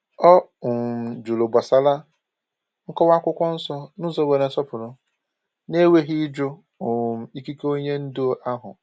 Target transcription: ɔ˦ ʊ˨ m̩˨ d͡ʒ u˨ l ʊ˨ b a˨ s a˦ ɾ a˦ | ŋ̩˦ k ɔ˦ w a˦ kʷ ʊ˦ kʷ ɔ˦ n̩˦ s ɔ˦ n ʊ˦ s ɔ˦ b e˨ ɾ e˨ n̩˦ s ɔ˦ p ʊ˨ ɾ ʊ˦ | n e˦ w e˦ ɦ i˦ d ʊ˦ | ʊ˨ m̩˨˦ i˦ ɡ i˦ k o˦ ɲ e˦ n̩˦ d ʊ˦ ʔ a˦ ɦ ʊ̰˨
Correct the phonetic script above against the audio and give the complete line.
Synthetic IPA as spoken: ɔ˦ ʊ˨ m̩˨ d͡ʒ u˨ l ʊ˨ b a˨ s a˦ l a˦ | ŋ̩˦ k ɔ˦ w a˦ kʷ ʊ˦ kʷ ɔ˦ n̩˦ s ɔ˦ n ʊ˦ z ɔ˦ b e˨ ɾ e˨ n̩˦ s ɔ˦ p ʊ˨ ɾ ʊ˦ | n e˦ w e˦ ɦ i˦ d͡ʒ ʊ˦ | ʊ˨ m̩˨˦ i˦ k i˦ k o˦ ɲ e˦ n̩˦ d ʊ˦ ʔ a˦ ɦ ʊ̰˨